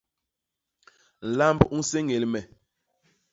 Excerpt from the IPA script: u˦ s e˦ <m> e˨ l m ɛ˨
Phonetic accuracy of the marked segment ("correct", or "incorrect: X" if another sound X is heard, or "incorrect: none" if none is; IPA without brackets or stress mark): incorrect: ŋ